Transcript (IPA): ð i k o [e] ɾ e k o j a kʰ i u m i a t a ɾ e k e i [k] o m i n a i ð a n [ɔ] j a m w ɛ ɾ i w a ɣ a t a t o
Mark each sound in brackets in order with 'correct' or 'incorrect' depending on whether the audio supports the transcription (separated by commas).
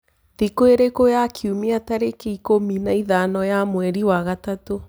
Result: correct, correct, correct